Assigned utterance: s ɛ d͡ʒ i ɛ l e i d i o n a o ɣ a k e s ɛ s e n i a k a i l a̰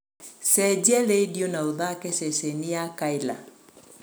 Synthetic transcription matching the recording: s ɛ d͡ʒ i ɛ l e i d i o n a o ð a k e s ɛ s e n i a k a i l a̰